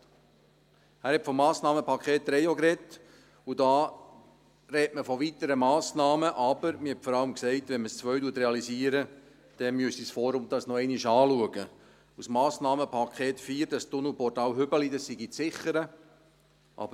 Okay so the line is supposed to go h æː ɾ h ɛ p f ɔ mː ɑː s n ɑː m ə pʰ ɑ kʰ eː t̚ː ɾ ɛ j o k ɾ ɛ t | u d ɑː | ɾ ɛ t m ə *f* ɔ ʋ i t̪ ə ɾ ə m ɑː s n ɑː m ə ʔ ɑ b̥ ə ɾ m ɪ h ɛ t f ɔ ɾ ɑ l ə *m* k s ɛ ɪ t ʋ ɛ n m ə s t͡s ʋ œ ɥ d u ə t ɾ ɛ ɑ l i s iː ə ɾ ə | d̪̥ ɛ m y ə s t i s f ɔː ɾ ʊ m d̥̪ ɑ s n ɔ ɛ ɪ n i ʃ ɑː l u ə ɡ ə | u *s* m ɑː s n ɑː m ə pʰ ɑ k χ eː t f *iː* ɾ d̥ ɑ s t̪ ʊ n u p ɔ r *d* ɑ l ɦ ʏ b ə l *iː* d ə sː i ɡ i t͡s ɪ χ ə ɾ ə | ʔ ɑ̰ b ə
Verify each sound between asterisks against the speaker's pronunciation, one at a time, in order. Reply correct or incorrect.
correct, correct, correct, correct, incorrect, incorrect

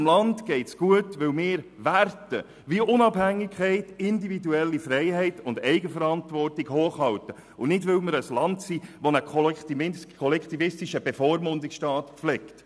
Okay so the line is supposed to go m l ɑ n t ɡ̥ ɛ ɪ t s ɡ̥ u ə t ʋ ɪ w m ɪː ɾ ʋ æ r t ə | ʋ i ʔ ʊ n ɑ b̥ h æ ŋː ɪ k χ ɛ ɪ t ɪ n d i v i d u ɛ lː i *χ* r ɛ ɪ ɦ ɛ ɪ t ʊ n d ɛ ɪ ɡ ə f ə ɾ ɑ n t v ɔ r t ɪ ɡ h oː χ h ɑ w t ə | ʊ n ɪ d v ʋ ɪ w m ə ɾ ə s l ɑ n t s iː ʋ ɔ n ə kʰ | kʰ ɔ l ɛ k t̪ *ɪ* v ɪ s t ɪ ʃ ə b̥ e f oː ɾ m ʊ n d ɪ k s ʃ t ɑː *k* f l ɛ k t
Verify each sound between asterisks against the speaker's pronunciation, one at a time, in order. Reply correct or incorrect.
incorrect, incorrect, incorrect

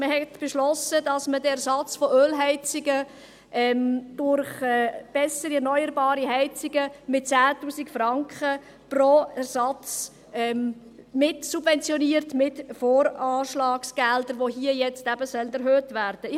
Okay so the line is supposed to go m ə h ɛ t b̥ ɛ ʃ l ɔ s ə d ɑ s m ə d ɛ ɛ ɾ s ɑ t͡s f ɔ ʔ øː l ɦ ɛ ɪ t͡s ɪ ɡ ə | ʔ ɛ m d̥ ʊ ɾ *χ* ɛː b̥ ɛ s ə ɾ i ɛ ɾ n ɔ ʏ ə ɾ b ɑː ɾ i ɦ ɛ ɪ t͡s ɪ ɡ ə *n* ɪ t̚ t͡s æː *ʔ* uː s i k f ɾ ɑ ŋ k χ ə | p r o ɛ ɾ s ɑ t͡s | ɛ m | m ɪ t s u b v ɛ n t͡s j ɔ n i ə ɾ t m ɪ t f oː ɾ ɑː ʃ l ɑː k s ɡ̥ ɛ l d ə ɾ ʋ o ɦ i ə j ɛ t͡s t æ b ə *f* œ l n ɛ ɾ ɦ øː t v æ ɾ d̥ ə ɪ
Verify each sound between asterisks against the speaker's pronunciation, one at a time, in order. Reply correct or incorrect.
correct, incorrect, incorrect, incorrect

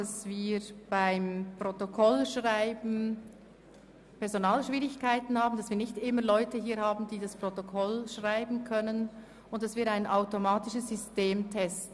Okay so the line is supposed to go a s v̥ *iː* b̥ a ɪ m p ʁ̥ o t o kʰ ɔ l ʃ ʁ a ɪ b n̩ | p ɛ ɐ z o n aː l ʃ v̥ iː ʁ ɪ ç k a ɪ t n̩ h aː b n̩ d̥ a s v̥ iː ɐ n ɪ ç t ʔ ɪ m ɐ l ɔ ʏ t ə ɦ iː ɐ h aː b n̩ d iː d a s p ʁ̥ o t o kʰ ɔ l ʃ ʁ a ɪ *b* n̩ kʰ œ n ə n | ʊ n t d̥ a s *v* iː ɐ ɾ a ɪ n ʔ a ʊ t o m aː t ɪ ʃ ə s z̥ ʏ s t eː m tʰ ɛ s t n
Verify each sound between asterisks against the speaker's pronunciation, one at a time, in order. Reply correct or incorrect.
correct, correct, correct

